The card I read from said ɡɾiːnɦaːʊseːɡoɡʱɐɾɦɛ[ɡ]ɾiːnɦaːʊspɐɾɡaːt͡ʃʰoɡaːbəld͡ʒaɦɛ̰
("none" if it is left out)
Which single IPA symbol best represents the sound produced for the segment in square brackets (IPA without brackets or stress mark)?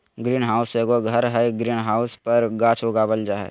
ɡ